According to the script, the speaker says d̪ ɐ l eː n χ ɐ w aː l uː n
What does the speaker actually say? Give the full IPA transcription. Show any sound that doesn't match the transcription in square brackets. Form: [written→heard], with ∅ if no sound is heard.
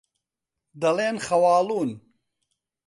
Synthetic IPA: d̪ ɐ l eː n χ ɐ w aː l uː n

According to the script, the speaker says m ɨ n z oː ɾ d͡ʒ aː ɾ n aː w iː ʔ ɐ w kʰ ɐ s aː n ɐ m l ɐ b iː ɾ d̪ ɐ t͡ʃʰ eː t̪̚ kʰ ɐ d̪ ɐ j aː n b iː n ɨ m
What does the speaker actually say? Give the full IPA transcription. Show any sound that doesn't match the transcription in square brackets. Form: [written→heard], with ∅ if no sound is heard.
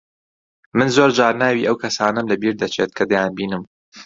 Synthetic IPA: m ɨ n z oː ɾ d͡ʒ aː ɾ n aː w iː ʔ ɐ w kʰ ɐ s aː n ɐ m l ɐ b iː ɾ d̪ ɐ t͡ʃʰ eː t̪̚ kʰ ɐ d̪ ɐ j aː n b iː n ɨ m

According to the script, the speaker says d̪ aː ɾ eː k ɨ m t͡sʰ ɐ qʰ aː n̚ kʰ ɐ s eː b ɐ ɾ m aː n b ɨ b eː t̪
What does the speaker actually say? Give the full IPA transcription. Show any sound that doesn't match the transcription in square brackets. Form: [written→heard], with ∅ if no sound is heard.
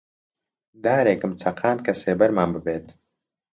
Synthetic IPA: d̪ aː ɾ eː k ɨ m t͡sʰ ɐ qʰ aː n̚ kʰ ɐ s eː b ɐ ɾ m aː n b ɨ b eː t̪

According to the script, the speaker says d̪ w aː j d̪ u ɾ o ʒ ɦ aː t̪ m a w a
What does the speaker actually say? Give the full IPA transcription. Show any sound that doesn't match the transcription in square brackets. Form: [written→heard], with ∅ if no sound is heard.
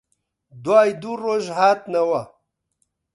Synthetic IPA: d̪ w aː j d̪ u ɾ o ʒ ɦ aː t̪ [m→n] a w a

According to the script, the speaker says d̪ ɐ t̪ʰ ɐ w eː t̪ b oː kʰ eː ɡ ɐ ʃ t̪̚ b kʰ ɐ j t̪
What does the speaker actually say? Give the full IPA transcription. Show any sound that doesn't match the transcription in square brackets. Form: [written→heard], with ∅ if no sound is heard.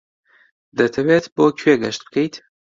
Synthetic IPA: d̪ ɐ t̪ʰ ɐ w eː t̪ b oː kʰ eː ɡ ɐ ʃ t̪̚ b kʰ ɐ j t̪

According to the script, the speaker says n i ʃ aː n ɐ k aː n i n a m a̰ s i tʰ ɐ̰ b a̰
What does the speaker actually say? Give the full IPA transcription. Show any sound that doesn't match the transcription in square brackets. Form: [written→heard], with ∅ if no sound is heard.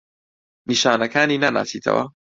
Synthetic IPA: n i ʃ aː n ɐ k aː n i n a [m→n] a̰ s i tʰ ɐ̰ [b→w] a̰

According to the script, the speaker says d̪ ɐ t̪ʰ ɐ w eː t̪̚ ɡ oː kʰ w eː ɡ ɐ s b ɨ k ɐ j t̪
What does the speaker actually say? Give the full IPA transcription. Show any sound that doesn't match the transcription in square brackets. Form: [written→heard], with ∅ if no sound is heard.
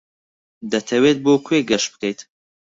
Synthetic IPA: d̪ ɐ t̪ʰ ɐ w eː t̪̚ [ɡ→b] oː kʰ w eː ɡ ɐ [s→ʃ] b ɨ k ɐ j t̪

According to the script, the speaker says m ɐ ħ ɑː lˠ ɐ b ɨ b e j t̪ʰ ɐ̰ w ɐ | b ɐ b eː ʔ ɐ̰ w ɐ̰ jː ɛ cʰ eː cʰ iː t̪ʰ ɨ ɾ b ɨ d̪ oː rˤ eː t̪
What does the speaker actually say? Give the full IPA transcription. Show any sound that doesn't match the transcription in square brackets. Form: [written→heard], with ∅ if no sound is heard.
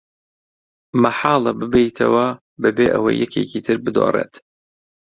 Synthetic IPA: m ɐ ħ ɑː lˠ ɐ b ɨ b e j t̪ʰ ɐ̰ w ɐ | b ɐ b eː ʔ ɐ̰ w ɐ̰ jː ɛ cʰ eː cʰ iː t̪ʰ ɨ ɾ b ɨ d̪ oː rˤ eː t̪

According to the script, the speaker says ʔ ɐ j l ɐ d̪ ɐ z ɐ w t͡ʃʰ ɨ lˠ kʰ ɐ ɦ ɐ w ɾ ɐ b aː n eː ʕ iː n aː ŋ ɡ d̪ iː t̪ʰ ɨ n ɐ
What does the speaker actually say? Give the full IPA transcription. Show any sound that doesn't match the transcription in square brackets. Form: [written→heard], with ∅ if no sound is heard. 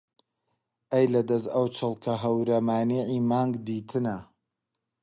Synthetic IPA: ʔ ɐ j l ɐ d̪ ɐ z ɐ w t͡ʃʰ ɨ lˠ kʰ ɐ ɦ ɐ w ɾ ɐ [b→m] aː n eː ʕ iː [n→m] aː ŋ ɡ d̪ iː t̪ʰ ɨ n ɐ

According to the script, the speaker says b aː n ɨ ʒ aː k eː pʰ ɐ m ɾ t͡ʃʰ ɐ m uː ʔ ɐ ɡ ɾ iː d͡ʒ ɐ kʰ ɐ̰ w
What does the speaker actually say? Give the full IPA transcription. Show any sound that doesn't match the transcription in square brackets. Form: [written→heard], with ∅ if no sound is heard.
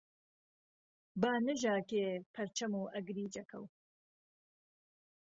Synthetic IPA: b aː n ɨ ʒ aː k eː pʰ ɐ [m→∅] ɾ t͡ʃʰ ɐ m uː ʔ ɐ ɡ ɾ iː d͡ʒ ɐ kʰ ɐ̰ w

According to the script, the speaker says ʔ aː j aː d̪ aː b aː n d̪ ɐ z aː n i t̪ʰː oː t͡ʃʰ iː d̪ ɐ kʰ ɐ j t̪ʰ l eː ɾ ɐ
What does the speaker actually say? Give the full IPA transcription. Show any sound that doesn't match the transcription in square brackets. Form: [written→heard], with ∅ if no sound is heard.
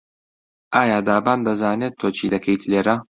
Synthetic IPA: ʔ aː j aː d̪ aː b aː n d̪ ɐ z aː n [i→e] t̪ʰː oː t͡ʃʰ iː d̪ ɐ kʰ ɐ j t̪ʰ l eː ɾ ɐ

